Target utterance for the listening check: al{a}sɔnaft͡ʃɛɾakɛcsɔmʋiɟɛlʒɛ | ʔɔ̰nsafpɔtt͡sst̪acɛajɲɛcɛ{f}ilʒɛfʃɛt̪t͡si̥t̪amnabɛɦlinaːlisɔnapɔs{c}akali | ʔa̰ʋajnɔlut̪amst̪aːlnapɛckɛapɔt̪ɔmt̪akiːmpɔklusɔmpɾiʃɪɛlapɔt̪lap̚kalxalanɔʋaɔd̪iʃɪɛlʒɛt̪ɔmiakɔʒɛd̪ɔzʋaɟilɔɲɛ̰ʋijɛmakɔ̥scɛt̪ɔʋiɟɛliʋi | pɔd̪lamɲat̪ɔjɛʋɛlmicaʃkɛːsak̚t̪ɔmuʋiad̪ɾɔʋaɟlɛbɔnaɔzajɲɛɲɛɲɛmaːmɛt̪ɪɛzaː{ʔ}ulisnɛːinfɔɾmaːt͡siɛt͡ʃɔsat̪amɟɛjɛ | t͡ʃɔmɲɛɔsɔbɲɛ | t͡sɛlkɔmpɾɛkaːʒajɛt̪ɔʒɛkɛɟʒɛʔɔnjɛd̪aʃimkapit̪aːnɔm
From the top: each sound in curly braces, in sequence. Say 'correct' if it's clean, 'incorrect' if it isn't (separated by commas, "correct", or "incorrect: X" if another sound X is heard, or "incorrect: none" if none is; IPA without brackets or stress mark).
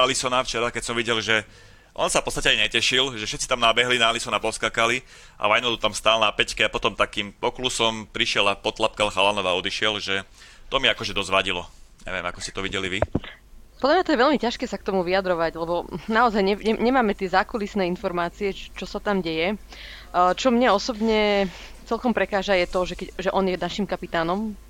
incorrect: i, incorrect: ʃ, incorrect: k, incorrect: k